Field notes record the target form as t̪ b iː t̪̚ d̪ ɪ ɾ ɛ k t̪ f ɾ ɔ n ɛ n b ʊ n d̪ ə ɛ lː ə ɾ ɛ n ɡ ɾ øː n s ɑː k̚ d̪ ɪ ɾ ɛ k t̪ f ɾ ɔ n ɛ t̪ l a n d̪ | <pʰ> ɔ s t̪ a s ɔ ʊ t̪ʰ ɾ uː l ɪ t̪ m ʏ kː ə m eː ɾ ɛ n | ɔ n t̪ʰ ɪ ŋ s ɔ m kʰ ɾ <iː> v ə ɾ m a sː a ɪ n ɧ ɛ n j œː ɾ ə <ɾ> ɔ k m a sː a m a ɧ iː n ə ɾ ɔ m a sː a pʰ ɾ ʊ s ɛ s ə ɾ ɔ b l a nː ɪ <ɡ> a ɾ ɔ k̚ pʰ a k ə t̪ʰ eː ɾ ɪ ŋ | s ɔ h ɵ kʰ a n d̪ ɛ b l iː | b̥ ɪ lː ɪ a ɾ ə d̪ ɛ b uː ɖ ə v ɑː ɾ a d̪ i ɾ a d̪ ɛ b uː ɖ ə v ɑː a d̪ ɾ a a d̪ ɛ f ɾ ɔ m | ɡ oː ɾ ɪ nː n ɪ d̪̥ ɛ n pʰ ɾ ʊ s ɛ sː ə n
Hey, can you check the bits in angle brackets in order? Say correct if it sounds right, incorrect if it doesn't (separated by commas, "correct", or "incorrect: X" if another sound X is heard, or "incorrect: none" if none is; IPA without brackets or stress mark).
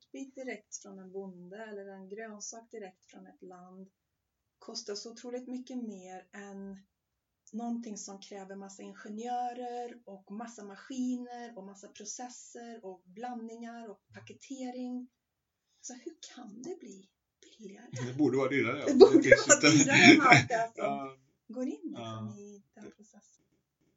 incorrect: kʰ, incorrect: ɛː, correct, incorrect: ŋ